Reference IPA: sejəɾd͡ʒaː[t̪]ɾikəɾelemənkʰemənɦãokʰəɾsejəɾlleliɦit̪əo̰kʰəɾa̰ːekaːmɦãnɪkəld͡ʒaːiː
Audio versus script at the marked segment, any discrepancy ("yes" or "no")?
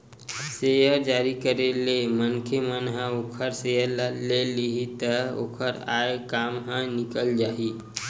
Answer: yes